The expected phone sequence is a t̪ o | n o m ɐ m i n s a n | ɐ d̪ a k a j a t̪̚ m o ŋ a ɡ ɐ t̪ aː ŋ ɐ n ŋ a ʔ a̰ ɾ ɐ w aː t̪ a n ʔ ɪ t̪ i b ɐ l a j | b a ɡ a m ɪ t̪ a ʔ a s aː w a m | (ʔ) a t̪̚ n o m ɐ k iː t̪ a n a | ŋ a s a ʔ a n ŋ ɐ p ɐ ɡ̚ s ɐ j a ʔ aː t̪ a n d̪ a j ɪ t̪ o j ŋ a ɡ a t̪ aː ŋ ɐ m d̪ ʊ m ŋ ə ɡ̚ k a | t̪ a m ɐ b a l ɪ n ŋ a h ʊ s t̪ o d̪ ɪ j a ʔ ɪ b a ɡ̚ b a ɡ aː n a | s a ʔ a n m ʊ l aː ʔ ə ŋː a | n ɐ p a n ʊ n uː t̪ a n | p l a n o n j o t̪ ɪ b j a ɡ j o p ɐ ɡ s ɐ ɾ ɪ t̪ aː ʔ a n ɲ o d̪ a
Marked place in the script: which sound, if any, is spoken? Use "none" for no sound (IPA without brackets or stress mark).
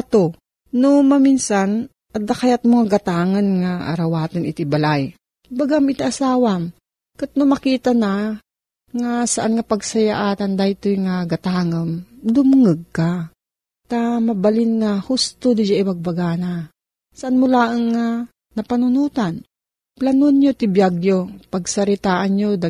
k